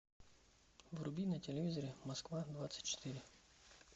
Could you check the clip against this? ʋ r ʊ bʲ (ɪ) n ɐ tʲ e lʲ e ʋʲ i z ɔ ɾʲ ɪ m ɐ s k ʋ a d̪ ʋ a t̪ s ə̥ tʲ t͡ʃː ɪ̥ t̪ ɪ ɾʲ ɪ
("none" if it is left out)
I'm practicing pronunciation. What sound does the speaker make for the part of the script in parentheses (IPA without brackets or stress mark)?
i